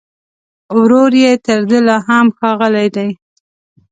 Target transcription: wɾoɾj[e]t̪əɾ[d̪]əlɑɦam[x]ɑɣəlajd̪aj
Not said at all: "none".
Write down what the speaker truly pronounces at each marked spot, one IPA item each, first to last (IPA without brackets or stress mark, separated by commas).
e, d̪, x